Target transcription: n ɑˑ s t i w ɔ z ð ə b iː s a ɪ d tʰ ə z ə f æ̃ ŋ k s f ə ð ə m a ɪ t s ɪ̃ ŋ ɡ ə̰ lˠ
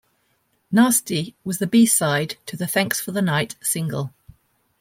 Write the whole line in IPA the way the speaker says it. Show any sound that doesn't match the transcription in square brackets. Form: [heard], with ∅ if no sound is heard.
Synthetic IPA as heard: n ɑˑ s t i w [ɒ] z ð ə b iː s a ɪ d tʰ ə [ð] ə [θ] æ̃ ŋ k s f ə ð ə [n] a ɪ t s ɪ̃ ŋ ɡ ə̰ lˠ